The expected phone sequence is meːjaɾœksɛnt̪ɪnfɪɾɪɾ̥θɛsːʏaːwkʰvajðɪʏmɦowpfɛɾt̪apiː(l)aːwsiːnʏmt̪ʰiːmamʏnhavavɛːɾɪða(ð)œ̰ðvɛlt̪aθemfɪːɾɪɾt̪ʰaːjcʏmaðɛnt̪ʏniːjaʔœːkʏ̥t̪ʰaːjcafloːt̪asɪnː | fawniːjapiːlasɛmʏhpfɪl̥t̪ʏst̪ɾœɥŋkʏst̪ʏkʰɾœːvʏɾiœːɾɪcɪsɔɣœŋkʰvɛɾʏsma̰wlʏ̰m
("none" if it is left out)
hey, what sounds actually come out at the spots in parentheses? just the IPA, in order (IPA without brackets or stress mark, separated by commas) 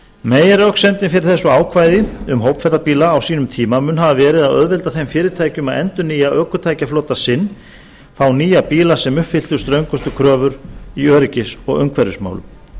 l, ð